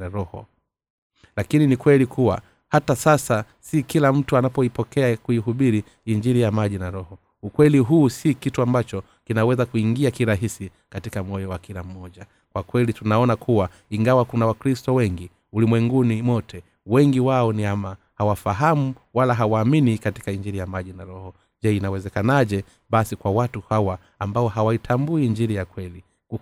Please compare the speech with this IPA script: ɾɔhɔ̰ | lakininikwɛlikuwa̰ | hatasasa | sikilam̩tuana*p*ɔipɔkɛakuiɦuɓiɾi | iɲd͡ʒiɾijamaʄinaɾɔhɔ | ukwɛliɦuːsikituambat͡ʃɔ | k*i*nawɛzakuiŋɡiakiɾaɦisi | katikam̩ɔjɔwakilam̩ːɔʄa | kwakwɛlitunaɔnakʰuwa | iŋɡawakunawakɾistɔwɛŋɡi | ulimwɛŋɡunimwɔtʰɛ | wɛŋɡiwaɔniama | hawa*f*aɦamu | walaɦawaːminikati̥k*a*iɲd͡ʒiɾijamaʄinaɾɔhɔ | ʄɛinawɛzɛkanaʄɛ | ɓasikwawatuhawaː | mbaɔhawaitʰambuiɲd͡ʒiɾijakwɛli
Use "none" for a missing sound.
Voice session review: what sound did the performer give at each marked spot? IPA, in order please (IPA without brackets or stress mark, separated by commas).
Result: p, i, f, a